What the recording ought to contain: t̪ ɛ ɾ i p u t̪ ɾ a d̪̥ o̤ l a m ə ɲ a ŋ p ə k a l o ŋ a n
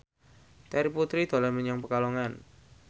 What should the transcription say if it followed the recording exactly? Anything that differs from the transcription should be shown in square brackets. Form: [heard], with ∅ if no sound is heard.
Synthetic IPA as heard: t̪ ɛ ɾ i p u t̪ ɾ [i] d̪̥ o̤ l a m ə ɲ a ŋ p ə k a l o ŋ a n